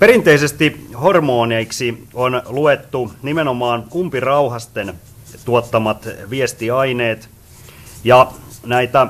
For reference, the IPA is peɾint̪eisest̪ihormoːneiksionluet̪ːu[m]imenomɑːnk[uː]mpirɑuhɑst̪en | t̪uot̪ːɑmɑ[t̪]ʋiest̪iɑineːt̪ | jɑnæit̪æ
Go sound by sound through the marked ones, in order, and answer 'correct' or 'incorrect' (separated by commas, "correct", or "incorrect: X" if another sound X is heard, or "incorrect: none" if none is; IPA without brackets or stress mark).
incorrect: n, incorrect: u, correct